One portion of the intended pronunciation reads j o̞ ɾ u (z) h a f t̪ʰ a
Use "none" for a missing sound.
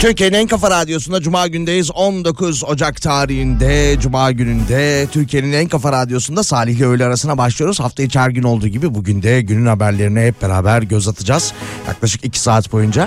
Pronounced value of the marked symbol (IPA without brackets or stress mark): z